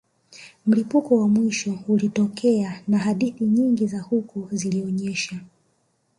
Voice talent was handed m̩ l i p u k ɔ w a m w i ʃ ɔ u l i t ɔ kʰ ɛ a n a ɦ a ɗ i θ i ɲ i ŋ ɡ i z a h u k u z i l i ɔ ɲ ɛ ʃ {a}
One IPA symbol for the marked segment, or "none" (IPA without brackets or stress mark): a